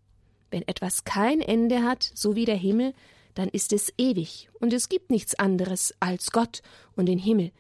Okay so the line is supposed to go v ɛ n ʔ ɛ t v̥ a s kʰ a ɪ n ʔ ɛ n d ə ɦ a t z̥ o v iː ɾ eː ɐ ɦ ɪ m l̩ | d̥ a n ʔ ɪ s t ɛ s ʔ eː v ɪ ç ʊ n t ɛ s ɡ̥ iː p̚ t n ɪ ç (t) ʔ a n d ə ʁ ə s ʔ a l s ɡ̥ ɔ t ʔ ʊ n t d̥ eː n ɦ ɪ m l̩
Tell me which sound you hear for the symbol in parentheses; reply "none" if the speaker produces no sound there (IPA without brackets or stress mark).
t͡s